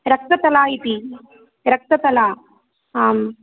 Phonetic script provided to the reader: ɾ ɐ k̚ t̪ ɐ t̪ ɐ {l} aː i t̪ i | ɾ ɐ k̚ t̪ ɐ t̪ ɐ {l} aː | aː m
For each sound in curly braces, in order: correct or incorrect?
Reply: correct, correct

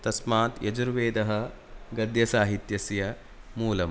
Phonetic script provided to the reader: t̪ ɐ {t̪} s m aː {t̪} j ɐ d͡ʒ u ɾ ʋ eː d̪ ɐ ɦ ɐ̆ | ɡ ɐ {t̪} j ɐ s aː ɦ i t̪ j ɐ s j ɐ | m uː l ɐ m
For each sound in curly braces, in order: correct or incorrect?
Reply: incorrect: none, correct, incorrect: d̪

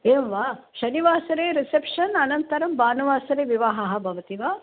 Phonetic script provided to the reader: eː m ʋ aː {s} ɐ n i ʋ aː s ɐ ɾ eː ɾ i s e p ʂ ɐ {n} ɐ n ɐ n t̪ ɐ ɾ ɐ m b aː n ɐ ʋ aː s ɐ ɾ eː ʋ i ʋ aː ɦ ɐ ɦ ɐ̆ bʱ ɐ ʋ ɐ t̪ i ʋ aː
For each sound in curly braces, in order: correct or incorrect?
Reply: incorrect: ʃ, correct

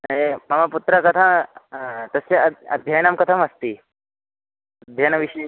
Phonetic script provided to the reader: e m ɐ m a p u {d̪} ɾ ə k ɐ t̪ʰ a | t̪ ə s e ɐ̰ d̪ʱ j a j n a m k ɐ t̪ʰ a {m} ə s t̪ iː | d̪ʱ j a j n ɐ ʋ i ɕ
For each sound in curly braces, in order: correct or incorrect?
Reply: incorrect: t̪, correct

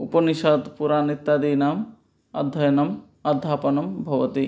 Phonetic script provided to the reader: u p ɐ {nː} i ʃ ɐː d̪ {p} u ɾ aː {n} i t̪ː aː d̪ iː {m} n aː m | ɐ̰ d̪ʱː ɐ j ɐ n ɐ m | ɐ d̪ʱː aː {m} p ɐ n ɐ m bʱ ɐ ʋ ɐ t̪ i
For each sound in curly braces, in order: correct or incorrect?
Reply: incorrect: n, correct, correct, incorrect: none, incorrect: none

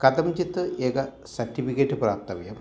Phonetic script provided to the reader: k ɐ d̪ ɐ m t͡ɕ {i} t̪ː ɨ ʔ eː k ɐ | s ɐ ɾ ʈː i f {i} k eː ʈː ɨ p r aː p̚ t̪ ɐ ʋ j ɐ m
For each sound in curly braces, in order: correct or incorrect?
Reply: correct, correct

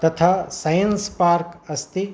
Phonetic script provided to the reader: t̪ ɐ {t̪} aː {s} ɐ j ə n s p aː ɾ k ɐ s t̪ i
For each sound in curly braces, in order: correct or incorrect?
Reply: incorrect: t̪ʰ, correct

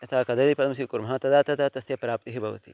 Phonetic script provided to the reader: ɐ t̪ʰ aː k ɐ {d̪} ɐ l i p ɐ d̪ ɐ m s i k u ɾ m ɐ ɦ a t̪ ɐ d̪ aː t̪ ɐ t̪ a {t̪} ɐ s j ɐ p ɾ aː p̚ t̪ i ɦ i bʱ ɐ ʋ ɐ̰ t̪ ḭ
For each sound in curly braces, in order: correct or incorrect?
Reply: correct, correct

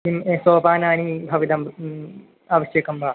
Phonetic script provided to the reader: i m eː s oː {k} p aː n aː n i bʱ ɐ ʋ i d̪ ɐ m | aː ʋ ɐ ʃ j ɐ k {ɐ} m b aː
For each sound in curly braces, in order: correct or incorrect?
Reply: incorrect: none, correct

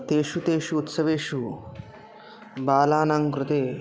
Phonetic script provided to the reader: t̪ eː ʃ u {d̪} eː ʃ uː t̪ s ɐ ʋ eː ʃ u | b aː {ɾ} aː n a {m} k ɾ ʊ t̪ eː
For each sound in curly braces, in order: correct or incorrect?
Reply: incorrect: t̪, incorrect: l, incorrect: ŋ

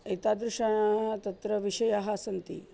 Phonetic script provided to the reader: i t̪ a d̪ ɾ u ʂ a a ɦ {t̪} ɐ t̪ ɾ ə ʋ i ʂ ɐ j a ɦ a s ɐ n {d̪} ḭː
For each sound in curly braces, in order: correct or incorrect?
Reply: correct, incorrect: t̪

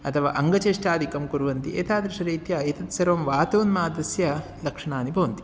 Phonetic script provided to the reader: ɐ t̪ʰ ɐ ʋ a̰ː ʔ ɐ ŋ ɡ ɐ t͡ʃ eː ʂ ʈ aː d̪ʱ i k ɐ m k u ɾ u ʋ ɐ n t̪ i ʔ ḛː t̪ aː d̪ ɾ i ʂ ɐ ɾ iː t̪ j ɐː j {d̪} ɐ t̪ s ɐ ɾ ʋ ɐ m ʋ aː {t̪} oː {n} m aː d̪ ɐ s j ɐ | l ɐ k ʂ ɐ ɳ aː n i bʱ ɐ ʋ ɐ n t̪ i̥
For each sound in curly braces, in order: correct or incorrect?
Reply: incorrect: t̪, correct, correct

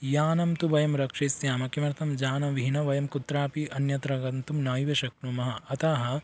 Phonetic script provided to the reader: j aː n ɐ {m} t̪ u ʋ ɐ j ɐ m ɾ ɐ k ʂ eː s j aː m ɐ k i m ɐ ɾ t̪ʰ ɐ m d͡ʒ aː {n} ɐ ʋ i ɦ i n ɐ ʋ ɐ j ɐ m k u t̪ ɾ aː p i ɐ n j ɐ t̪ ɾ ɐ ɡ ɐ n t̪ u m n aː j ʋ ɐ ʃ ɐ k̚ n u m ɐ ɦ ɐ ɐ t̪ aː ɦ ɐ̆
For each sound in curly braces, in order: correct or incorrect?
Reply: correct, correct

